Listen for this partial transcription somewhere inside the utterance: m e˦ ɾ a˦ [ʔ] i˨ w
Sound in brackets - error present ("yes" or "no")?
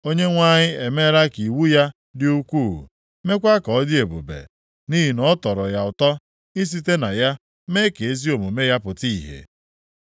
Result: yes